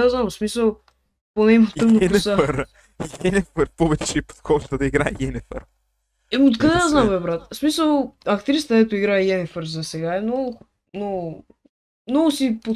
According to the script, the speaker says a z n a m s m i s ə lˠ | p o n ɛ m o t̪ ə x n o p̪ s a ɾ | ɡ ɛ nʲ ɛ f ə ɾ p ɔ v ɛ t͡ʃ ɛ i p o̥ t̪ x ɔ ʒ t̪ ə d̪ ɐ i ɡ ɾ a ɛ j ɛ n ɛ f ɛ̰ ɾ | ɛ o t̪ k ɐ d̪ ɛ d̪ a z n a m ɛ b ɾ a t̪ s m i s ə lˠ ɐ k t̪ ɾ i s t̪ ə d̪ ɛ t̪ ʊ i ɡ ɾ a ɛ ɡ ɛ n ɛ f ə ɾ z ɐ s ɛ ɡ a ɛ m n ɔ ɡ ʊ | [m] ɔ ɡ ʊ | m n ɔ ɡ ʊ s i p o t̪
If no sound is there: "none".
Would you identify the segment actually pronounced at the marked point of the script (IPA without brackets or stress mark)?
n